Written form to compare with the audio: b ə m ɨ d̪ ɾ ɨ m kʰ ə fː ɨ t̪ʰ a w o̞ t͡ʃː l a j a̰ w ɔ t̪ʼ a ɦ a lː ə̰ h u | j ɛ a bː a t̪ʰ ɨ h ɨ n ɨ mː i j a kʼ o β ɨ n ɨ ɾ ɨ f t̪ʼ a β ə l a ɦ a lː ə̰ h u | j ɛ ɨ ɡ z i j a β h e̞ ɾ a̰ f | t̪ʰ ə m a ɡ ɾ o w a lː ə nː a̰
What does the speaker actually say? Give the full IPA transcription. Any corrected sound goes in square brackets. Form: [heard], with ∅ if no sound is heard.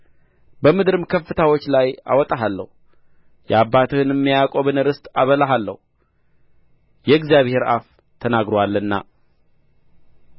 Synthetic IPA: b ə m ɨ d̪ ɾ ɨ m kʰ ə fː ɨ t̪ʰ a w o̞ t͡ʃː l a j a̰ w ɔ t̪ʼ a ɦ a lː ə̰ h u | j ɛ a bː a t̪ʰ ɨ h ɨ n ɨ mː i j a kʼ o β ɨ n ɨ ɾ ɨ [s] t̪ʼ a β ə l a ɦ a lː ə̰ h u | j ɛ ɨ ɡ z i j a β h e̞ ɾ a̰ f | t̪ʰ ə [n] a ɡ ɾ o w a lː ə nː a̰